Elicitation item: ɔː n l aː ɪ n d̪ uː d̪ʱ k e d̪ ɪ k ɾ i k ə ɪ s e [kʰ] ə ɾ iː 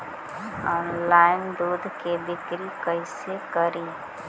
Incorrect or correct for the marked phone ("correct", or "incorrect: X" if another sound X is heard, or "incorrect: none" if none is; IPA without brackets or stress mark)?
incorrect: k